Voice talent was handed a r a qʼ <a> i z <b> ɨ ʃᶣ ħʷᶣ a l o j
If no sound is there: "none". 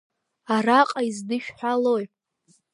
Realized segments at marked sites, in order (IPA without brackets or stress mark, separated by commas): a, d